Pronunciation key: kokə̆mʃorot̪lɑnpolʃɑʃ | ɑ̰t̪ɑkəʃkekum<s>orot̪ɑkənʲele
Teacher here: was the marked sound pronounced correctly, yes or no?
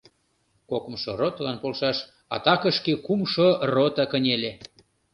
no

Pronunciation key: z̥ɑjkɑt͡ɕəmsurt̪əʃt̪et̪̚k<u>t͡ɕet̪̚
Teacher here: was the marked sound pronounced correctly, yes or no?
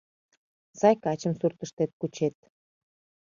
yes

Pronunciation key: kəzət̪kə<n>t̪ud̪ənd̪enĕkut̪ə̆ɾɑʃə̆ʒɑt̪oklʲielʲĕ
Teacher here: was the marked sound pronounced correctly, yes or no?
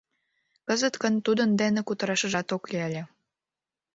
yes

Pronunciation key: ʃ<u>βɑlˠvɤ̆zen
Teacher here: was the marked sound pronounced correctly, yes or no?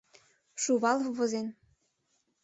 yes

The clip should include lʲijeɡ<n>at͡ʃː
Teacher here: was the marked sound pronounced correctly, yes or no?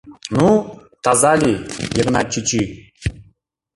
yes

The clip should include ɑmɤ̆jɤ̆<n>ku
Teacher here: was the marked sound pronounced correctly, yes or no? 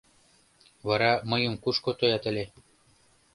no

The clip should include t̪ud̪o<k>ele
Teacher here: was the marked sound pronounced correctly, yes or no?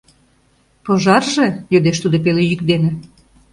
no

